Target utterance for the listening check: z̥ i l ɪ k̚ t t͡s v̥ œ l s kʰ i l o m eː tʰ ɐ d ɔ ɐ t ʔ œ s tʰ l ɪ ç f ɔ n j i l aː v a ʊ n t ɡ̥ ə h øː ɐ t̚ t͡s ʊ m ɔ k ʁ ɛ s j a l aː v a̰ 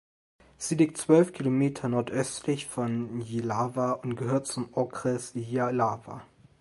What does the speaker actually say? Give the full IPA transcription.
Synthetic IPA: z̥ i l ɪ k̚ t t͡s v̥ œ l f kʰ i l o m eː tʰ ɐ n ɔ ɐ t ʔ œ s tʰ l ɪ ç f ɔ n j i l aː v a ʊ n t ɡ̥ ə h øː ɐ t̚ t͡s ʊ m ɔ k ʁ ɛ s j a l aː v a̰